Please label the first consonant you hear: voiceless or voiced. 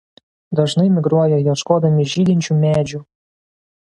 voiced